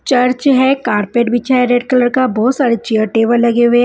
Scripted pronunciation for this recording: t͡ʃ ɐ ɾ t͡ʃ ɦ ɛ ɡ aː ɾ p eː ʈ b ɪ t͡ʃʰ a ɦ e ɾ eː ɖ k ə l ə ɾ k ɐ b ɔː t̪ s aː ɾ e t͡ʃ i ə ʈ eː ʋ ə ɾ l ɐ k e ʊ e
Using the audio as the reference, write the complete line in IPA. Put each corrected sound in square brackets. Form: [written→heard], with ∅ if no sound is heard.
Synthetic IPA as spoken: t͡ʃ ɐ ɾ t͡ʃ ɦ ɛ [ɡ→k] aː ɾ p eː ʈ b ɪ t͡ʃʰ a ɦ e ɾ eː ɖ k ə l ə ɾ k [ɐ→a] b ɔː t̪ s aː ɾ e t͡ʃ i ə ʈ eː ʋ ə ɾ l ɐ [k→ɡ] e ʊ e

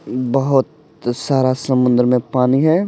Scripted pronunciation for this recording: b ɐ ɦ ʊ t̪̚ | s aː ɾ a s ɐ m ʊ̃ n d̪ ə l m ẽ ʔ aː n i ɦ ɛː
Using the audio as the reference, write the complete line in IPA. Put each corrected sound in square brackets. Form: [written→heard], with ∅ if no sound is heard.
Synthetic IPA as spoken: b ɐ ɦ ʊ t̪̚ | s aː ɾ a s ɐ m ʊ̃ n d̪ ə [l→ɾ] m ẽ [ʔ→p] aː n i ɦ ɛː

